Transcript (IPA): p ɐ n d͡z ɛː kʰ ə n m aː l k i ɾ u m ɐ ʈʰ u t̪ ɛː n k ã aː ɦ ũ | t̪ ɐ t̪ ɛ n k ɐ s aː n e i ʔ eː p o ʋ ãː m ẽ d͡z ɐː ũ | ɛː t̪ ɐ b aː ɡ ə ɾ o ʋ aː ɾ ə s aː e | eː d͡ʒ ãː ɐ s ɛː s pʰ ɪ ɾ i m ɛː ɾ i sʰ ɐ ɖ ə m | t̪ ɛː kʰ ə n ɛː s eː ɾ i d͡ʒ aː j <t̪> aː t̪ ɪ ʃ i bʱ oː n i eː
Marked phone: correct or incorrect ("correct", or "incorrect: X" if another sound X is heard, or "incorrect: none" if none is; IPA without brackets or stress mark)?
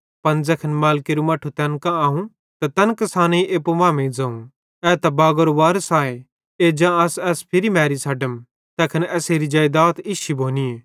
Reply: incorrect: d̪